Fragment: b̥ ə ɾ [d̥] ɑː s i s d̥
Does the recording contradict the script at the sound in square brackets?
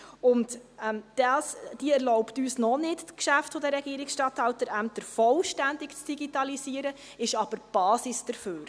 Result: yes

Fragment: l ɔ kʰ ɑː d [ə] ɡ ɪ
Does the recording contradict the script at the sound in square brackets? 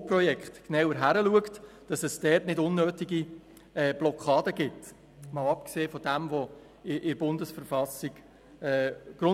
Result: no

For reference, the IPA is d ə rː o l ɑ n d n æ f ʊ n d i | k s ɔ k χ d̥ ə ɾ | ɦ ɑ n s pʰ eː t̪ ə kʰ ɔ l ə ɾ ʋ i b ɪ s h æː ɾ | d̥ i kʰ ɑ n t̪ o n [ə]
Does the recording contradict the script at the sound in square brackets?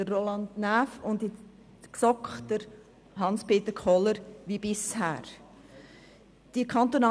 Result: yes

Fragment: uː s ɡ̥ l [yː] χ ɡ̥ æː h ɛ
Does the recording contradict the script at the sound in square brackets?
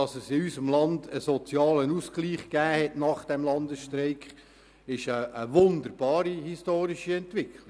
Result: yes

